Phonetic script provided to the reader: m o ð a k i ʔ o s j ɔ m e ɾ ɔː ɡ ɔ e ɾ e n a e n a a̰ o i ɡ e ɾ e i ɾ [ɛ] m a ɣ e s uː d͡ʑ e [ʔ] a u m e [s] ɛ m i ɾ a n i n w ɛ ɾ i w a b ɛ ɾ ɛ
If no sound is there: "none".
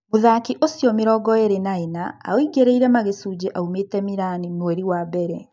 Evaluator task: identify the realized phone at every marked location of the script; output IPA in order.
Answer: ɛ, ʔ, t

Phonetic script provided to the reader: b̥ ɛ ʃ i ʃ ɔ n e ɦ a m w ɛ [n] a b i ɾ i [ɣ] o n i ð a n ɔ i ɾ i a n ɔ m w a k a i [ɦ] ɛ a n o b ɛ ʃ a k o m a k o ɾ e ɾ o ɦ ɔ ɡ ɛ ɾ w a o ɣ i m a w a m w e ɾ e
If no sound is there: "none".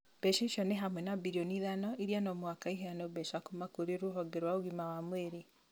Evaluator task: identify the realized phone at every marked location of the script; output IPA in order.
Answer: n, none, ɦ

